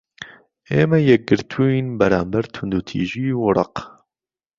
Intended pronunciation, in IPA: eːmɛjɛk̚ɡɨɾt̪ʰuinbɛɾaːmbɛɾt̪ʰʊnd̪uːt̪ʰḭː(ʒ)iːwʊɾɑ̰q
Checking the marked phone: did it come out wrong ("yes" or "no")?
no